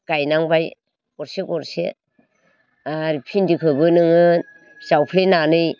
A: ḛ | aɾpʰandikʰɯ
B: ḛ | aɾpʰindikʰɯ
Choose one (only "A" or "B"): B